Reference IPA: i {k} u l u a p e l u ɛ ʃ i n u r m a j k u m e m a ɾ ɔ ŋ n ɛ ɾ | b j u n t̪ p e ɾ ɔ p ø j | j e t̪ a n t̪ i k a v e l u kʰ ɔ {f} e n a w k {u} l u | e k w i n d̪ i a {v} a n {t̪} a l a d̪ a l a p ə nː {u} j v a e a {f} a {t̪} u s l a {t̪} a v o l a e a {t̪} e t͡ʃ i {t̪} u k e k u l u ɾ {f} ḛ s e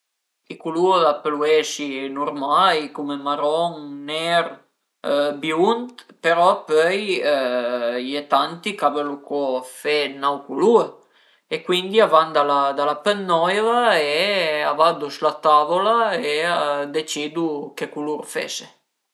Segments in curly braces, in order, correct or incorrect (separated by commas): correct, correct, correct, correct, incorrect, incorrect, incorrect, incorrect, correct, incorrect, incorrect, correct